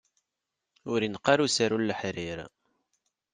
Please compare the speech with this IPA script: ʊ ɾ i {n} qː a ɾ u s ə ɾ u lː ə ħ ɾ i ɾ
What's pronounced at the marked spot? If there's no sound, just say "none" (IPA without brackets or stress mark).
n